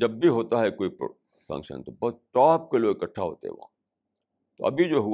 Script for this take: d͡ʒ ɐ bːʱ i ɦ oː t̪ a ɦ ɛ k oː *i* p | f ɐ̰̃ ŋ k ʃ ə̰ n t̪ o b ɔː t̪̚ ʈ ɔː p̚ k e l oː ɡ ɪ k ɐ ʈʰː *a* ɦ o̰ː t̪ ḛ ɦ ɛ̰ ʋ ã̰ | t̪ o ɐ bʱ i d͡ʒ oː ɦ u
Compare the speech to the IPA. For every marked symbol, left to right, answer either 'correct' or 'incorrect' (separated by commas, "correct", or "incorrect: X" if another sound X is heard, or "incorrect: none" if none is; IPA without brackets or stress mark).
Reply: correct, correct